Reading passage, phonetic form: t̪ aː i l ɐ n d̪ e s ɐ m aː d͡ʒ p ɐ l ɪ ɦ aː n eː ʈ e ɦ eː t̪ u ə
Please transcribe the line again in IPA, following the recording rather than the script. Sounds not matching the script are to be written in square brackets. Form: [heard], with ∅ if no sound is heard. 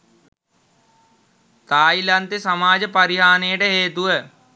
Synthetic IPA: t̪ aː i l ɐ n [t̪] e s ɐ m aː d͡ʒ p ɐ [ɾ] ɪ ɦ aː n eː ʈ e ɦ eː t̪ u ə

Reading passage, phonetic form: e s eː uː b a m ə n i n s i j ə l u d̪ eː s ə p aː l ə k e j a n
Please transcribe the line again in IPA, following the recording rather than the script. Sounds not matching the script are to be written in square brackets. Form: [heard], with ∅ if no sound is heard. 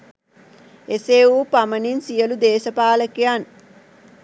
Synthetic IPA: e s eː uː [p] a m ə n i n s i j ə l u d̪ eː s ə p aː l ə k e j a n

